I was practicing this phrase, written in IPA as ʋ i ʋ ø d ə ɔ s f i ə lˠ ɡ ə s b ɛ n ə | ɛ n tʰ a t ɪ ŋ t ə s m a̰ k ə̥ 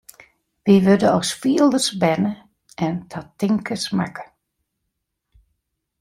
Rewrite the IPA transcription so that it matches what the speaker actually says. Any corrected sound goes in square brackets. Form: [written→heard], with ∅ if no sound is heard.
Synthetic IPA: ʋ i ʋ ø d ə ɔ s f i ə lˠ [ɡ→d] ə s b ɛ n ə | ɛ n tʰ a t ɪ ŋ [t→k] ə s m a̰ k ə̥